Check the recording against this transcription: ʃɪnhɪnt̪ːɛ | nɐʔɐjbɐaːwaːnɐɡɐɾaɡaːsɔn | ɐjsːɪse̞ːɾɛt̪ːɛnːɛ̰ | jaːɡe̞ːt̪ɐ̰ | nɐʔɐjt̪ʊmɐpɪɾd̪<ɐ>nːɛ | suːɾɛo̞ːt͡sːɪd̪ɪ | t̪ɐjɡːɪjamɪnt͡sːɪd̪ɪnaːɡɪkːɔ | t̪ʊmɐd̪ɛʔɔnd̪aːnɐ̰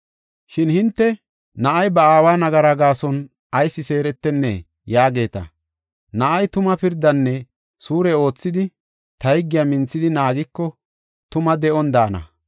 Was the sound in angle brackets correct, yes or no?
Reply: yes